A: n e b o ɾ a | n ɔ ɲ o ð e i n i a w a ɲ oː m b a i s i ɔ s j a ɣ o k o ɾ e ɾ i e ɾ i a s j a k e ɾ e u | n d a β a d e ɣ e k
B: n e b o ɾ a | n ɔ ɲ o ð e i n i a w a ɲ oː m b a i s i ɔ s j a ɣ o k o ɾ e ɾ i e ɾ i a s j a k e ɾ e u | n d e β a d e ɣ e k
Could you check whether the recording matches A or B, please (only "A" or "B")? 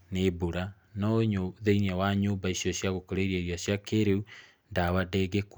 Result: A